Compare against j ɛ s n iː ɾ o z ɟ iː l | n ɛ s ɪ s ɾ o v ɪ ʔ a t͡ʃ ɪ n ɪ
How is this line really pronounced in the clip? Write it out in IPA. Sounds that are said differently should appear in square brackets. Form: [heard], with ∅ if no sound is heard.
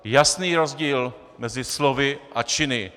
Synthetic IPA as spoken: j [a] s n iː ɾ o z ɟ iː l | [m] ɛ [z] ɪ s [l] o v ɪ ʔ a t͡ʃ ɪ n ɪ